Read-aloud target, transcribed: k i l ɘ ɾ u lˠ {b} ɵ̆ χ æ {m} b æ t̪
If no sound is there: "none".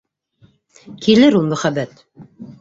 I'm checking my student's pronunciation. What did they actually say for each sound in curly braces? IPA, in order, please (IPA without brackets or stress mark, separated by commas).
m, none